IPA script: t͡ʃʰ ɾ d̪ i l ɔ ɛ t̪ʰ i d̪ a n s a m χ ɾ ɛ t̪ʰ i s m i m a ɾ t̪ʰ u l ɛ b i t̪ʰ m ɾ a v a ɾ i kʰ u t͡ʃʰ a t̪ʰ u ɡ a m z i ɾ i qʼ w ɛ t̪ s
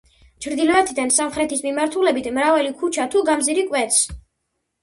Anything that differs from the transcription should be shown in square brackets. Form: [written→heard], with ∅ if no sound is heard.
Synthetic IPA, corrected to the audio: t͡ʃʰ ɾ d̪ i l ɔ ɛ t̪ʰ i d̪ a n s a m χ ɾ ɛ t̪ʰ i s m i m a ɾ t̪ʰ u l ɛ b i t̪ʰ m ɾ a v a [ɾ→l] i kʰ u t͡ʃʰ a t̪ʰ u ɡ a m z i ɾ i [qʼ→kʼ] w ɛ t̪ s